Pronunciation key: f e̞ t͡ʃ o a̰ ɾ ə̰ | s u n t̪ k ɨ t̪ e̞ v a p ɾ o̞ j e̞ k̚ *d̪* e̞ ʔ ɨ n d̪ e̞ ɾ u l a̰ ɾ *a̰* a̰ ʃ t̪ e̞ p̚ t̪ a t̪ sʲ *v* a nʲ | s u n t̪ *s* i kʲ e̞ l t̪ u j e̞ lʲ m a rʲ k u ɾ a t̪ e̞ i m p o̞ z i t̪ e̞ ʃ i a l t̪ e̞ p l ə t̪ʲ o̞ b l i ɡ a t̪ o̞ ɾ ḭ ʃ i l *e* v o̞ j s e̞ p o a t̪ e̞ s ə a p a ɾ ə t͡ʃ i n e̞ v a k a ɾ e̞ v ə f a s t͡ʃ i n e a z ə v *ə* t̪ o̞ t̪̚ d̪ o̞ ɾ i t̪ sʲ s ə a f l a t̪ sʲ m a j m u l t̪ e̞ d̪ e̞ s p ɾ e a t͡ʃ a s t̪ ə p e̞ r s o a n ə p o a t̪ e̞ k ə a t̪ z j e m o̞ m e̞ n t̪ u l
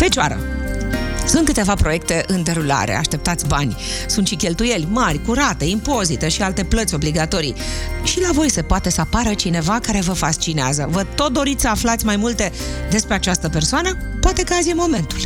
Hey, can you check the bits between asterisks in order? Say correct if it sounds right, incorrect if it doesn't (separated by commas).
incorrect, incorrect, incorrect, incorrect, incorrect, correct